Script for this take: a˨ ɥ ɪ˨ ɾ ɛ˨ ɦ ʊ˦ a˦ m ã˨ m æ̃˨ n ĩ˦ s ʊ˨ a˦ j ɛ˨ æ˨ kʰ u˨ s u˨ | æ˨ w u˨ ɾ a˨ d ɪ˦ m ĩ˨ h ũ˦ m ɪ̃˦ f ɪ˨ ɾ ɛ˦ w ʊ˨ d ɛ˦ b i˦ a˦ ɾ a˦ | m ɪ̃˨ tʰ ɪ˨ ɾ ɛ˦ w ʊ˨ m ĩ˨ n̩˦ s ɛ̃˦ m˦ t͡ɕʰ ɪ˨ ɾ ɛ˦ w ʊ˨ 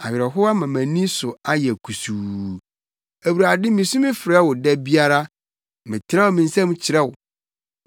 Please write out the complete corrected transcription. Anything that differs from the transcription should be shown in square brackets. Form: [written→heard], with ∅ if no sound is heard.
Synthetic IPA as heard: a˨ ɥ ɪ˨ ɾ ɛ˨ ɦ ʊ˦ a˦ m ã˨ m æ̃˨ n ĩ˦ s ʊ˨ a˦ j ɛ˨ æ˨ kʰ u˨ s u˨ | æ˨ w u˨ ɾ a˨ d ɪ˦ m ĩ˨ [h→s] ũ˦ m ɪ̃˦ f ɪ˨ ɾ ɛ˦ w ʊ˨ d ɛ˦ b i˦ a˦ ɾ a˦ | m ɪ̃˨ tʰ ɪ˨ ɾ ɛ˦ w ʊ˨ m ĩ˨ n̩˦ s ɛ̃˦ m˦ t͡ɕʰ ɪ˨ ɾ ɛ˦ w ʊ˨